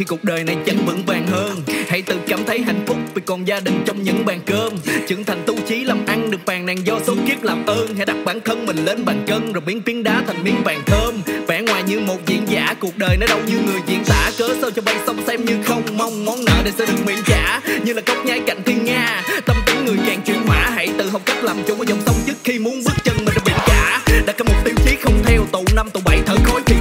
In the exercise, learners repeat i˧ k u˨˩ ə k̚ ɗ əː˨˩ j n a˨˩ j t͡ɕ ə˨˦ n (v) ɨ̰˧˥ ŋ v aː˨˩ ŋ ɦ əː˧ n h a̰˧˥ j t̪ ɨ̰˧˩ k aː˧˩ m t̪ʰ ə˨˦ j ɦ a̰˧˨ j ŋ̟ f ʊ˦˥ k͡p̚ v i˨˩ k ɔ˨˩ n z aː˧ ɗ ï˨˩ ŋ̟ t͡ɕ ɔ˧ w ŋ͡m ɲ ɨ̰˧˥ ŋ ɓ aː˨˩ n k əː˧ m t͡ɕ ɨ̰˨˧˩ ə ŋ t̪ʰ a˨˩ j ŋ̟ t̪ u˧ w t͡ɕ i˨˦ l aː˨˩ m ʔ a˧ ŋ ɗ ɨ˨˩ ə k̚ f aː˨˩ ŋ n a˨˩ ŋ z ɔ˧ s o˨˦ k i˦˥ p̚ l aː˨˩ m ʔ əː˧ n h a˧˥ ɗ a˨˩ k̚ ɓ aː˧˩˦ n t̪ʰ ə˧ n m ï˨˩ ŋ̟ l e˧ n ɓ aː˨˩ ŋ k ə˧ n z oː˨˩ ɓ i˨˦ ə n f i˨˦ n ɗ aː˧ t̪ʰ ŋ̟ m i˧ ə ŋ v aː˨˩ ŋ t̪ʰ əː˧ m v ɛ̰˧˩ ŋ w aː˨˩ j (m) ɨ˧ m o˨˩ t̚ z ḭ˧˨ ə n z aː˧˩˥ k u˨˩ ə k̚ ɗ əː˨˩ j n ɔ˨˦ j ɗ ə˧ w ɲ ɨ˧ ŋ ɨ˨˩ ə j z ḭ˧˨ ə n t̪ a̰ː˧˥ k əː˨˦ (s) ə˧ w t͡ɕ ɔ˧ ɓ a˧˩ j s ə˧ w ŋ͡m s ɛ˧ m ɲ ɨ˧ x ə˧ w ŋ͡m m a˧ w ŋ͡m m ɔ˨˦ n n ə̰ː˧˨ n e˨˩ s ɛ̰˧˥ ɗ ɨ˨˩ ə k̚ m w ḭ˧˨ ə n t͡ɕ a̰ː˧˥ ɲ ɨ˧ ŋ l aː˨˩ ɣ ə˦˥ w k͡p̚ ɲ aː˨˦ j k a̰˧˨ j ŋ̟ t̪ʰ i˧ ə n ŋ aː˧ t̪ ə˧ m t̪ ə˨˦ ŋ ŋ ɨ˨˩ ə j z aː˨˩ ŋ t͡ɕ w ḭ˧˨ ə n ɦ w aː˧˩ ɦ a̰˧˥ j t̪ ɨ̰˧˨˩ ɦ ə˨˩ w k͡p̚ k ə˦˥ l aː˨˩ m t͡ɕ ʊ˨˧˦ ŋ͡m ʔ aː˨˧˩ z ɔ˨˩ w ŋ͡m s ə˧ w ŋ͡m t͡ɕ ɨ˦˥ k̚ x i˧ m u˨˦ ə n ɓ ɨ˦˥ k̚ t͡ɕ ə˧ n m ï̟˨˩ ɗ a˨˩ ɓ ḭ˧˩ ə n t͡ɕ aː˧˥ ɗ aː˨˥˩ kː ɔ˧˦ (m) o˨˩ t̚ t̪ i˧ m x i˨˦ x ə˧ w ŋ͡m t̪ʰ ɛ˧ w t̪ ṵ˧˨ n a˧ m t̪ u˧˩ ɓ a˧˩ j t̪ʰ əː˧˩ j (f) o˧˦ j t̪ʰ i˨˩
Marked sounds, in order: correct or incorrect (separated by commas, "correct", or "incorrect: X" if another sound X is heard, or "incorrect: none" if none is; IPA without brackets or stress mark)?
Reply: correct, incorrect: ɲ, correct, correct, incorrect: x